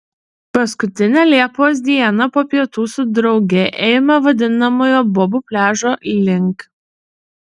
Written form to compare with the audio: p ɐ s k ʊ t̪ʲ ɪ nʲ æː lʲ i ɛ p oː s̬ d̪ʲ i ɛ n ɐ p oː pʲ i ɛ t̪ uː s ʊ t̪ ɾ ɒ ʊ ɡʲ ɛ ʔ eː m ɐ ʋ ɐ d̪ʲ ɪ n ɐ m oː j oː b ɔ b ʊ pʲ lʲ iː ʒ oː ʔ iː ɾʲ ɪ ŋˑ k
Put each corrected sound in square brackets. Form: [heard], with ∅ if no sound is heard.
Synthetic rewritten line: p ɐ s k ʊ t̪ʲ ɪ nʲ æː lʲ i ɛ p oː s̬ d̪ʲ i ɛ n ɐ p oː pʲ i ɛ t̪ uː s ʊ [d̪] ɾ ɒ ʊ ɡʲ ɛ ʔ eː m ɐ ʋ ɐ d̪ʲ ɪ n ɐ m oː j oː b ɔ b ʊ pʲ lʲ [æː] ʒ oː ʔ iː [lʲ] ɪ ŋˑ k